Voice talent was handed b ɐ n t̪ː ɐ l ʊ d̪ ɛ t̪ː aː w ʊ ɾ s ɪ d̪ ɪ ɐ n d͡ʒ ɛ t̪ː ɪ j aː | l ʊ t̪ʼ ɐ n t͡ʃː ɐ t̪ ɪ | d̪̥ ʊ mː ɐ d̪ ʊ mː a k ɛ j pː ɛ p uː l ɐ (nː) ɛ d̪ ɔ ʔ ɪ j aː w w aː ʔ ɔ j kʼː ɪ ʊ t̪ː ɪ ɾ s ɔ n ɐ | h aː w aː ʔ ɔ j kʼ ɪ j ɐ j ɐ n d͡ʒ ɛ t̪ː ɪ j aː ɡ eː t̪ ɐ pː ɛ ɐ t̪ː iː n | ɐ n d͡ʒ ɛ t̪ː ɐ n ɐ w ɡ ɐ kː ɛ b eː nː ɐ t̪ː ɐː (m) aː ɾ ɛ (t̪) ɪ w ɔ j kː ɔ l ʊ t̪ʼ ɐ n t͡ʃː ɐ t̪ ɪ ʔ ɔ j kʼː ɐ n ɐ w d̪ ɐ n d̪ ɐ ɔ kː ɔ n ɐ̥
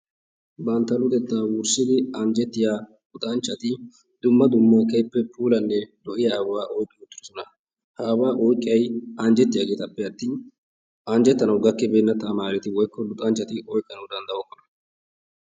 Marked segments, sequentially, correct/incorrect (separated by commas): correct, correct, correct